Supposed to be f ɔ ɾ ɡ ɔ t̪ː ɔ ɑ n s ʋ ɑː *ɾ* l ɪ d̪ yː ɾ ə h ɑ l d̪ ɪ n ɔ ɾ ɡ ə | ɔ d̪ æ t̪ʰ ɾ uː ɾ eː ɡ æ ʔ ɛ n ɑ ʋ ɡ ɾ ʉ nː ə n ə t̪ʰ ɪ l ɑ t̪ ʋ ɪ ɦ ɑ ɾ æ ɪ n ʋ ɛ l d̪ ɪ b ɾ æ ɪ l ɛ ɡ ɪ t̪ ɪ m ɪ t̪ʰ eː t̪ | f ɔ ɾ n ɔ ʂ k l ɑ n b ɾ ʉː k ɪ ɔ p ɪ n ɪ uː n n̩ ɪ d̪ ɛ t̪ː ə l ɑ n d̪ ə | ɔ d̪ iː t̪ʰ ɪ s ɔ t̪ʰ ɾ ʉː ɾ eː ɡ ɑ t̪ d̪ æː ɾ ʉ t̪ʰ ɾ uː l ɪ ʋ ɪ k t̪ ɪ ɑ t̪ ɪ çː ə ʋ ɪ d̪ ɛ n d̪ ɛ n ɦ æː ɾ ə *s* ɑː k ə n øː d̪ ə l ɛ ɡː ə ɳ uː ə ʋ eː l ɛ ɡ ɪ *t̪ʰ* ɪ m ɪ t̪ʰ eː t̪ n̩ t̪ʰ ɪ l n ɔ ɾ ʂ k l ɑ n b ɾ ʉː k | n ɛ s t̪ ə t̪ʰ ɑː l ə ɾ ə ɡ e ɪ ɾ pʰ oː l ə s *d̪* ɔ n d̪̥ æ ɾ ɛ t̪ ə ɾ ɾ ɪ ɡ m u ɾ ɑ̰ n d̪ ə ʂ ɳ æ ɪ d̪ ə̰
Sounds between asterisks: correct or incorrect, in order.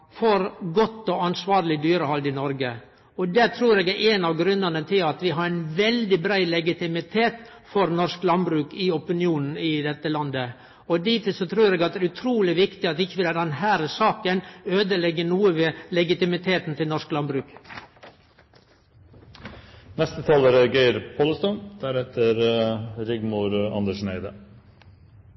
correct, correct, incorrect: t̪, incorrect: t̪

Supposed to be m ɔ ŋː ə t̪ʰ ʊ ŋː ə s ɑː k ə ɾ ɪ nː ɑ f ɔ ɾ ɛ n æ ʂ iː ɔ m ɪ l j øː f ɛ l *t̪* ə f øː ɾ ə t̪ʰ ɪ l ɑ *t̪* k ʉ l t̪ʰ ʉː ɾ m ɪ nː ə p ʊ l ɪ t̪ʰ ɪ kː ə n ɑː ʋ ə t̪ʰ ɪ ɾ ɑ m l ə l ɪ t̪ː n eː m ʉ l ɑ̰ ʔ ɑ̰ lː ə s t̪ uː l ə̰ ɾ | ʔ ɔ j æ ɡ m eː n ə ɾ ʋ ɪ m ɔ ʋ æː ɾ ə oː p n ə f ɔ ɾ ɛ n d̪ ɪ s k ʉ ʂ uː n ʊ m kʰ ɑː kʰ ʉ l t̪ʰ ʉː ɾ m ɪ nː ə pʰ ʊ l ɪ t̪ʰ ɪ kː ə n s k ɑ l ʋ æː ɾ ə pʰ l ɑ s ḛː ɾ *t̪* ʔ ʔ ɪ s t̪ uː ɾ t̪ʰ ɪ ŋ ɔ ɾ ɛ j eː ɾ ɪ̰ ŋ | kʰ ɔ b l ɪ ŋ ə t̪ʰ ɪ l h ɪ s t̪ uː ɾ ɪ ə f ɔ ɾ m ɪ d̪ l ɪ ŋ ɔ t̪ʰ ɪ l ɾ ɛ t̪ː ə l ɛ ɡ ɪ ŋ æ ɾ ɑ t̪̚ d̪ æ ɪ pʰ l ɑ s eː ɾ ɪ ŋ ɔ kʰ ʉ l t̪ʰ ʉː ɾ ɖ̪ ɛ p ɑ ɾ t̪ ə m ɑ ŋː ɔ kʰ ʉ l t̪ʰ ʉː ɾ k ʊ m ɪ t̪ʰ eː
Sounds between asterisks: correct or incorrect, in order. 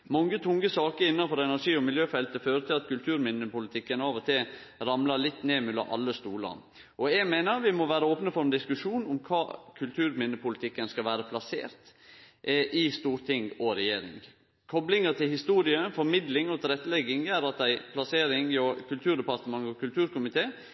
correct, correct, correct

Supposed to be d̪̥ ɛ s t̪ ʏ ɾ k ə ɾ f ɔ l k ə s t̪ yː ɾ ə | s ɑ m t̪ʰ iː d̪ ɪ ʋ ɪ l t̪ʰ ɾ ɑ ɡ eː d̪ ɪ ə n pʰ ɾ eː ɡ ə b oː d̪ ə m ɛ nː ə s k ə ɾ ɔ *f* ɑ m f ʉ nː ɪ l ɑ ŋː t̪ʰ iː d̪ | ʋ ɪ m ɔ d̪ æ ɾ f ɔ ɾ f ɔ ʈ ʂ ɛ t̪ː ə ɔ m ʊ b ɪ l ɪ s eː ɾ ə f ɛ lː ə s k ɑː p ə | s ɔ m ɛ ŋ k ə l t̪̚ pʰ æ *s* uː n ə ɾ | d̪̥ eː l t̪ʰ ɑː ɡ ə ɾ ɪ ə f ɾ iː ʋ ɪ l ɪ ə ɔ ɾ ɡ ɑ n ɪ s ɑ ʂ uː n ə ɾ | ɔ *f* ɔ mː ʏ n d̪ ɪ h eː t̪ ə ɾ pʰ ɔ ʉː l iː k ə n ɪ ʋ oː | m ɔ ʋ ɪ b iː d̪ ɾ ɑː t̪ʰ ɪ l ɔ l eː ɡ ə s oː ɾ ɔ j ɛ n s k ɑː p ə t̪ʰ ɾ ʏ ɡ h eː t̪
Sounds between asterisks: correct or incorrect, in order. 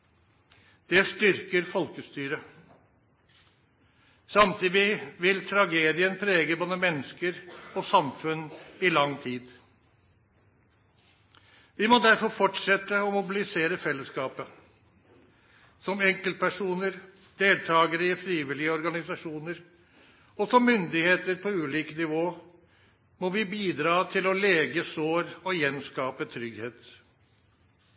incorrect: s, incorrect: ʂ, incorrect: s

